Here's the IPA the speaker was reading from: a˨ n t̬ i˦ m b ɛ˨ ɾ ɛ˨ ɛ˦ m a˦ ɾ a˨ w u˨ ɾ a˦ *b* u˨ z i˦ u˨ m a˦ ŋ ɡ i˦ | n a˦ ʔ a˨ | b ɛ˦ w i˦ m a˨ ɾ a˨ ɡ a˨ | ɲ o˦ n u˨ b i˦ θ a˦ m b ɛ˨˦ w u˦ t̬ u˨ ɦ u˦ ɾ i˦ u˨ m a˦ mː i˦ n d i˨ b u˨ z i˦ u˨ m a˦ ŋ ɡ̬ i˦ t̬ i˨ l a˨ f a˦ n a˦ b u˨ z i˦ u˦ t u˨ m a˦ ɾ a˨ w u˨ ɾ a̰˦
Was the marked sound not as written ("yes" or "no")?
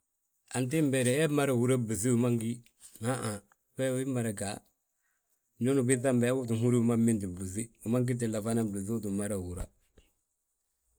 no